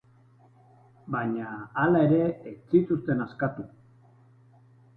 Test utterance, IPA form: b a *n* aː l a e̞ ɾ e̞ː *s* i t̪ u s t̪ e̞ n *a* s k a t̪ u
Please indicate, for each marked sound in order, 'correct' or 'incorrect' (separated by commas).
incorrect, incorrect, correct